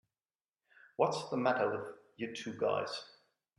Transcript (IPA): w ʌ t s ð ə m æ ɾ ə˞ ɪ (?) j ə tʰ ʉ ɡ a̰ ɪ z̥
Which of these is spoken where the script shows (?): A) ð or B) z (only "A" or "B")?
A